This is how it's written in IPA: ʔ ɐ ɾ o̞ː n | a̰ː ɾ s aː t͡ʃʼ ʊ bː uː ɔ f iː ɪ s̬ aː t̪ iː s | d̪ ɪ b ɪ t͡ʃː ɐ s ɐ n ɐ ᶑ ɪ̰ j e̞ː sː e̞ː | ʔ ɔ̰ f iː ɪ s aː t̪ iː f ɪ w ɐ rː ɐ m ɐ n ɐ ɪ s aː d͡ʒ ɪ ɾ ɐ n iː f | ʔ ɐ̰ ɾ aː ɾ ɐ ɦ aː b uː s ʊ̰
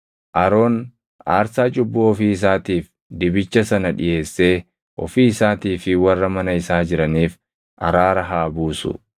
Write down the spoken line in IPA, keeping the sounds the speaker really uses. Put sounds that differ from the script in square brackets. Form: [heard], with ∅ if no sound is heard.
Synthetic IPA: ʔ ɐ ɾ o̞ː n | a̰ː ɾ s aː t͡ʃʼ ʊ bː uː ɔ f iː ɪ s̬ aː t̪ iː [f] | d̪ ɪ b ɪ t͡ʃː ɐ s ɐ n ɐ ᶑ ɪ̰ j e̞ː sː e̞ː | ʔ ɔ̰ f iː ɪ s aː t̪ iː f ɪ w ɐ rː ɐ m ɐ n ɐ ɪ s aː d͡ʒ ɪ ɾ ɐ n iː f | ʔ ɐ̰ ɾ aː ɾ ɐ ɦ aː b uː s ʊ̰

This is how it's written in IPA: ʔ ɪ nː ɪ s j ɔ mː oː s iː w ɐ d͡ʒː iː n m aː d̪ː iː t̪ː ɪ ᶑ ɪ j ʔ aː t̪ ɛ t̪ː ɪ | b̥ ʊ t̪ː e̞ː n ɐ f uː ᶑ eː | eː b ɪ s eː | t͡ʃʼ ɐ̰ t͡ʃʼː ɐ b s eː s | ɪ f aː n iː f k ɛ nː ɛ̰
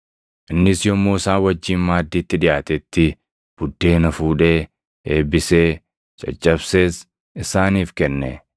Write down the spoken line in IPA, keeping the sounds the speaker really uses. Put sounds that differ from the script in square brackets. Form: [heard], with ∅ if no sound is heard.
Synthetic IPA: ʔ ɪ nː ɪ s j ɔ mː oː s [aː] w ɐ d͡ʒː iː n m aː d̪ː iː t̪ː ɪ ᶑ ɪ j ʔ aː t̪ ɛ t̪ː ɪ | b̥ ʊ [d̪ː] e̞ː n ɐ f uː ᶑ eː | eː b ɪ s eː | t͡ʃʼ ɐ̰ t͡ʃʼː ɐ b s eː s | ɪ [s] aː n iː f k ɛ nː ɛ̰

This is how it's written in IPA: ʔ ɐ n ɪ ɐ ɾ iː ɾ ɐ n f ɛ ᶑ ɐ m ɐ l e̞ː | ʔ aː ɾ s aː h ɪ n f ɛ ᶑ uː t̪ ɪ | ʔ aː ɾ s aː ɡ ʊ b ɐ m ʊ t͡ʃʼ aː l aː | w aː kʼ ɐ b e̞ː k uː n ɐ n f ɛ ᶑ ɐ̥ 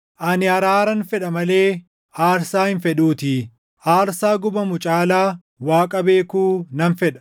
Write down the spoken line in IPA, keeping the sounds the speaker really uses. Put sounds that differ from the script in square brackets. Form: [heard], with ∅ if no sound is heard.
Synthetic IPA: ʔ ɐ n ɪ ɐ ɾ [aː] ɾ ɐ n f ɛ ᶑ ɐ m ɐ l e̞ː | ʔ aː ɾ s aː h ɪ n f ɛ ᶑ uː t̪ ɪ | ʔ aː ɾ s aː ɡ ʊ b ɐ m ʊ t͡ʃʼ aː l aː | w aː kʼ ɐ b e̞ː k uː n ɐ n f ɛ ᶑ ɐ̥

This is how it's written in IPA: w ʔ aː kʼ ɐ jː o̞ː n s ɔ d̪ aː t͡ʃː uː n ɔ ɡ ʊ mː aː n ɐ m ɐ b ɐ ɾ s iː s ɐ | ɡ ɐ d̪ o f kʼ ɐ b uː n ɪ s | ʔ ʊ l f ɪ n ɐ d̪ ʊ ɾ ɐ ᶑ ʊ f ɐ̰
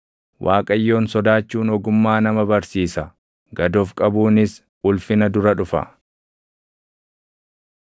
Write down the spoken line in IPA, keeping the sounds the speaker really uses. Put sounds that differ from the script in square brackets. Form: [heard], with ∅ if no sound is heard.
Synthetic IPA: w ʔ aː kʼ ɐ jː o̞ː n s ɔ d̪ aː t͡ʃː uː n ɔ ɡ ʊ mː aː n ɐ m ɐ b ɐ ɾ s iː s ɐ | ɡ ɐ d̪ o f kʼ ɐ b uː n ɪ s | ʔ ʊ l f ɪ n ɐ d̪ ʊ ɾ ɐ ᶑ ʊ f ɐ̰

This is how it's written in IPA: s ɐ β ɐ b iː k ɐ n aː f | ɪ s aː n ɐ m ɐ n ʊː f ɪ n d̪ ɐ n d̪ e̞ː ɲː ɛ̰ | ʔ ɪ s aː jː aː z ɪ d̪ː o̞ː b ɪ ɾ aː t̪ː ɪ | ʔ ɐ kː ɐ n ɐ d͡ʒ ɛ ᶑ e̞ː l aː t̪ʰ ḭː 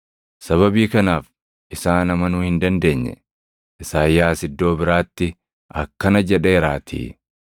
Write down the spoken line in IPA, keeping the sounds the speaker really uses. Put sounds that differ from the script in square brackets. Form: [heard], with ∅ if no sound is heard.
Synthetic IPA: s ɐ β ɐ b iː k ɐ n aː f | ɪ s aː n ɐ m ɐ n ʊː [h] ɪ n d̪ ɐ n d̪ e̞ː ɲː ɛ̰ | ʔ ɪ s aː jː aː [s] ɪ d̪ː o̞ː b ɪ ɾ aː t̪ː ɪ | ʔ ɐ kː ɐ n ɐ d͡ʒ ɛ ᶑ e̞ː [ɾ] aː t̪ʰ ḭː

